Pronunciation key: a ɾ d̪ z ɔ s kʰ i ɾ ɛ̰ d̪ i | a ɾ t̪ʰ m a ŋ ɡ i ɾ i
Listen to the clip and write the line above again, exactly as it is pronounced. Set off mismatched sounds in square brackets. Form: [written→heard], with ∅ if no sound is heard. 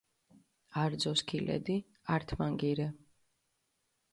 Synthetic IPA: a ɾ d̪ z ɔ s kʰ i [ɾ→l] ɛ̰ d̪ i | a ɾ t̪ʰ m a ŋ ɡ i ɾ [i→ɛ]

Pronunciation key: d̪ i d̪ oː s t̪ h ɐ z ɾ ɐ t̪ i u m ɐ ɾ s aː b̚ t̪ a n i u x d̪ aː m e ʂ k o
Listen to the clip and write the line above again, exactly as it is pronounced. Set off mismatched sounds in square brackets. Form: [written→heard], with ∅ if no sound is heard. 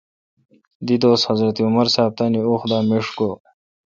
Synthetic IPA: d̪ i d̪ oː s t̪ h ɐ z ɾ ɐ t̪ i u m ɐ ɾ s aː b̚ t̪ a n i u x d̪ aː m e ʂ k o

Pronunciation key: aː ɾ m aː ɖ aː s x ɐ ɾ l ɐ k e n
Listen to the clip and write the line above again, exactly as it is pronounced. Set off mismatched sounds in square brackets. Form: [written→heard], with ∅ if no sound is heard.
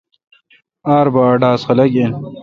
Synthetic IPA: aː ɾ [m→b] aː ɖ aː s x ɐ [ɾ→∅] l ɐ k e n

